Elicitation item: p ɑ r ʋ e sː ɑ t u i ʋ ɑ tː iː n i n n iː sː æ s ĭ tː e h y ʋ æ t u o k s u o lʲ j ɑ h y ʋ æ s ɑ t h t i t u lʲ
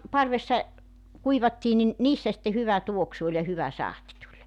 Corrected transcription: p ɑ r ʋ e sː ɑ k u i ʋ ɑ tː iː n i n n iː sː æ s ĭ tː e h y ʋ æ t u o k s u o lʲ j ɑ h y ʋ æ s ɑ h t i t u lʲ